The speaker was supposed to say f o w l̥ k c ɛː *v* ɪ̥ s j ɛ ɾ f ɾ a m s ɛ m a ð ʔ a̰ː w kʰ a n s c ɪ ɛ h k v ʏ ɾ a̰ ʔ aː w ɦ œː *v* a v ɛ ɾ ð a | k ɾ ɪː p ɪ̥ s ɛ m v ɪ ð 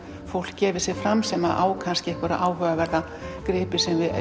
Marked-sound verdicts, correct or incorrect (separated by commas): correct, incorrect